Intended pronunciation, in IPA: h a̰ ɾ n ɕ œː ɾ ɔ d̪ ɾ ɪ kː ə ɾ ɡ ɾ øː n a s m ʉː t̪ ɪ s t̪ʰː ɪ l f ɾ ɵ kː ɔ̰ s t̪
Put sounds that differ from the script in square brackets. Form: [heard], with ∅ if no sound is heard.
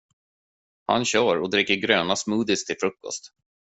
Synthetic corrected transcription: h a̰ [∅] n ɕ œː ɾ ɔ d̪ ɾ ɪ kː ə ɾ ɡ ɾ øː n a s m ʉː [d̪] ɪ s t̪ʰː ɪ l f ɾ ɵ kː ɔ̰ s t̪